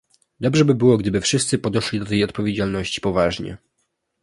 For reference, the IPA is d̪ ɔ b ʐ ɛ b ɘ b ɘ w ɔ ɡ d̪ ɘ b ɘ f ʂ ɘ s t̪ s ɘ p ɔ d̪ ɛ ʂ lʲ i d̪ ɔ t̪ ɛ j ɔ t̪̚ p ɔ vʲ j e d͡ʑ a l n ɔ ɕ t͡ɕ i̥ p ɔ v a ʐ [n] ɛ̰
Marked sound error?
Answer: yes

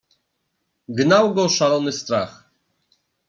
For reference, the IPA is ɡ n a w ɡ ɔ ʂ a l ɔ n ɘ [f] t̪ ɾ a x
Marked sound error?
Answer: yes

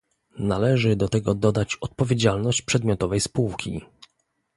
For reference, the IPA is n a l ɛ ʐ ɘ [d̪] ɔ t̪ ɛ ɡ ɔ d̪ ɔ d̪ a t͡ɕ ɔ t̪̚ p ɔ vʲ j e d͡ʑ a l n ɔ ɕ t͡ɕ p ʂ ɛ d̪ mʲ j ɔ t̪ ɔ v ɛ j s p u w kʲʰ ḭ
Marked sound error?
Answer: no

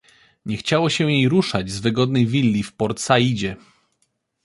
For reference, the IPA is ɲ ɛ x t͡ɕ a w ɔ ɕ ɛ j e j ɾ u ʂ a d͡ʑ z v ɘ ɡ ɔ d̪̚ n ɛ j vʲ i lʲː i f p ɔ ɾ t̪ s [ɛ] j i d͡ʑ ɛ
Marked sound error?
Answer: yes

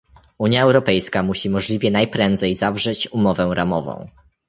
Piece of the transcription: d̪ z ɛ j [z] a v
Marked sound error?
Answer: no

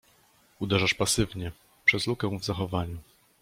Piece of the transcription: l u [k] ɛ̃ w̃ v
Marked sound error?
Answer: no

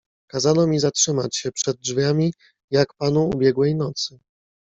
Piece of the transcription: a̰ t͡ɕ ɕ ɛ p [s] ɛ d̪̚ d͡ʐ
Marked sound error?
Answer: yes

